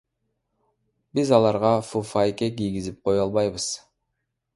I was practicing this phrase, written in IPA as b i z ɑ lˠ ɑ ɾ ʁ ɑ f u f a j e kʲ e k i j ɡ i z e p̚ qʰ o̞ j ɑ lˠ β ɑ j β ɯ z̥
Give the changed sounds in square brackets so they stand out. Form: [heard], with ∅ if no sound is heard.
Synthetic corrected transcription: b i z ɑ lˠ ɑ ɾ ʁ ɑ f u f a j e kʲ e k i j ɡ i z [i] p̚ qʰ o̞ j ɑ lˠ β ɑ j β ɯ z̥

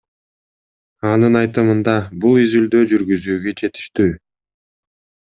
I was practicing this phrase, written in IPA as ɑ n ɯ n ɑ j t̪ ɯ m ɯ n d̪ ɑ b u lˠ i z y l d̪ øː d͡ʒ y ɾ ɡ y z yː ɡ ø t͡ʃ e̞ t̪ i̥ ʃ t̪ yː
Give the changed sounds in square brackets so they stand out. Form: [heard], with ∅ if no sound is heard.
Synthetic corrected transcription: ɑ n ɯ n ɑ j t̪ ɯ m ɯ n d̪ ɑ b u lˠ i z y l d̪ øː d͡ʒ y ɾ ɡ y z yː ɡ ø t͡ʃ e̞ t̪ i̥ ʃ t̪ yː

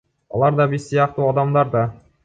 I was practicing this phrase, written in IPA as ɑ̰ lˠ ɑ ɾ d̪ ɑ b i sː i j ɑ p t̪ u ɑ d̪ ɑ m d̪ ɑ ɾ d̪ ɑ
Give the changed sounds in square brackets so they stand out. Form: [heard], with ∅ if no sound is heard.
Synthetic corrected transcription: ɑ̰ lˠ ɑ ɾ d̪ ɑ b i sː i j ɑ [q] t̪ u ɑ d̪ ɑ m d̪ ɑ ɾ d̪ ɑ

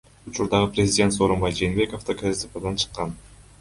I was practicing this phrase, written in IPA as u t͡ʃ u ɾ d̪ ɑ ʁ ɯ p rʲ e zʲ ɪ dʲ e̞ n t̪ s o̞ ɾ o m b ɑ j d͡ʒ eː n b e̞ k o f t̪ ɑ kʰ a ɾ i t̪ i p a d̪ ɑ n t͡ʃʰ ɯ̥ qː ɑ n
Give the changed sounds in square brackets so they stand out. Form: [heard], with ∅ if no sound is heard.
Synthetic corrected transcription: u t͡ʃ u ɾ d̪ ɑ ʁ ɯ p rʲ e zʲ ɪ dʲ e̞ n t̪ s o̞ ɾ o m b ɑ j d͡ʒ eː n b e̞ k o f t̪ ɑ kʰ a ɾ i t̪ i p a d̪ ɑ n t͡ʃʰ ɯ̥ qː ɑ n

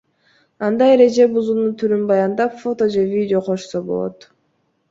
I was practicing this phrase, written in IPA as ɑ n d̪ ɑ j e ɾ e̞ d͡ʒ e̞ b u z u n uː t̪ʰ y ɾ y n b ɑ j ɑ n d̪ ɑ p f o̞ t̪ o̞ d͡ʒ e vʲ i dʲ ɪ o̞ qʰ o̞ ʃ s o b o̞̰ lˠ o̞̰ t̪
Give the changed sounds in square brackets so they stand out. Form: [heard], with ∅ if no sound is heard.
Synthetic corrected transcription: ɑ n d̪ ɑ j e ɾ e̞ d͡ʒ e̞ b u z u n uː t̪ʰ y ɾ y n b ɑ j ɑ n d̪ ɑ p f o̞ t̪ o̞ d͡ʒ e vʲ i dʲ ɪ o̞ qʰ o̞ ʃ s o b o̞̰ lˠ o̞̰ t̪

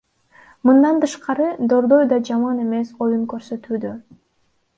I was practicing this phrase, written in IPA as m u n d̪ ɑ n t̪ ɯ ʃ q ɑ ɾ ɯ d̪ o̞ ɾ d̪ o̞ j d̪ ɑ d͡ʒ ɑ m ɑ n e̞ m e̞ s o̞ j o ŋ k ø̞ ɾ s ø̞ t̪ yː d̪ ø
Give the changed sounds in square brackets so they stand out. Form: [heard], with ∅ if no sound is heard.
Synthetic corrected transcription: m [ɯ] n d̪ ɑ n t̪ ɯ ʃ q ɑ ɾ ɯ d̪ o̞ ɾ d̪ o̞ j d̪ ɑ d͡ʒ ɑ m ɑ n e̞ m e̞ s o̞ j [u] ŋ k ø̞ ɾ s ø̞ t̪ yː d̪ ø

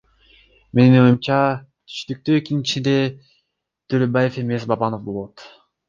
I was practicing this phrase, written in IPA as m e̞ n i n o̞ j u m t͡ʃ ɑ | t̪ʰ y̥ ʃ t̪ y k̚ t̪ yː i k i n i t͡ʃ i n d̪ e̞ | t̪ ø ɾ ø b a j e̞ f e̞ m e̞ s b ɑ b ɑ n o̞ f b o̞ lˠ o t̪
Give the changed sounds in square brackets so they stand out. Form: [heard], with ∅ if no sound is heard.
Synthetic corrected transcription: m e̞ n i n o̞ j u m t͡ʃ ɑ | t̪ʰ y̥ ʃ t̪ y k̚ t̪ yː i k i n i t͡ʃ i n d̪ e̞ | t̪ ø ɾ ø b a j e̞ f e̞ m e̞ s b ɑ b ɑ n o̞ f b o̞ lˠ o t̪

